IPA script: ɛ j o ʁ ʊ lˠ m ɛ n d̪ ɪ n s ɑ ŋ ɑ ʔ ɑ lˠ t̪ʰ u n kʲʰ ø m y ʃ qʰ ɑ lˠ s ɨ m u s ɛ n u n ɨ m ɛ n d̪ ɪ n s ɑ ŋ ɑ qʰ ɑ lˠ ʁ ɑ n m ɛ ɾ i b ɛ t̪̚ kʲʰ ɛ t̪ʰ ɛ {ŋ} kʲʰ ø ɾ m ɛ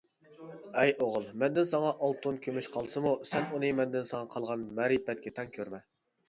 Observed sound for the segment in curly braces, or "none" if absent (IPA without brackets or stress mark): ŋ